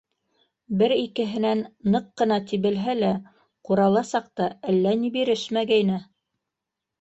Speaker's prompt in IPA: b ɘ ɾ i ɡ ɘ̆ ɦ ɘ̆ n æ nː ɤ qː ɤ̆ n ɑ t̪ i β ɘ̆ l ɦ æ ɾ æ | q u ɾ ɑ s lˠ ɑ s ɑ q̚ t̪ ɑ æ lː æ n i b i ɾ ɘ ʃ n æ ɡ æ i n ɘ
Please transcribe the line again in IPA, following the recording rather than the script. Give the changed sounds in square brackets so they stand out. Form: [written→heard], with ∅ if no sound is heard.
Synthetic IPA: b ɘ ɾ i [ɡ→k] ɘ̆ ɦ ɘ̆ n æ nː ɤ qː ɤ̆ n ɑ t̪ i β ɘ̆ l ɦ æ [ɾ→l] æ | q u ɾ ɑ [s→∅] lˠ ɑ s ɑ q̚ t̪ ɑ æ lː æ n i b i ɾ ɘ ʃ [n→m] æ ɡ æ [i→j] n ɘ